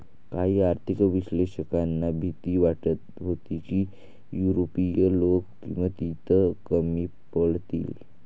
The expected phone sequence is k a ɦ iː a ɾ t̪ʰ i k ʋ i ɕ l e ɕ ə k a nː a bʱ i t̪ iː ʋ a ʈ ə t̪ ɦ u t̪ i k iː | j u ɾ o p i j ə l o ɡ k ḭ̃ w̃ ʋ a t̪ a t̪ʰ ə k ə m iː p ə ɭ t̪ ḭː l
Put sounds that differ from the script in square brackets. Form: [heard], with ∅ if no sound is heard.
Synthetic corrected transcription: k a ɦ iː a ɾ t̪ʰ i k ʋ i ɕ l e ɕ ə k a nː a bʱ i t̪ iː ʋ a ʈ ə t̪ ɦ [o] t̪ i k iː | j u ɾ o p i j ə l o [k] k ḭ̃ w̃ ʋ a t̪ [i] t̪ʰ ə k ə m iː p ə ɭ t̪ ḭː l